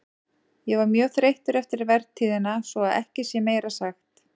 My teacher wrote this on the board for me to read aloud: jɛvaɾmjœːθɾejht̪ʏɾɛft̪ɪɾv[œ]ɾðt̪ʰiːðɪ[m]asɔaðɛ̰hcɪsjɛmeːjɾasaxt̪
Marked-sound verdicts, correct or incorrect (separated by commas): incorrect, incorrect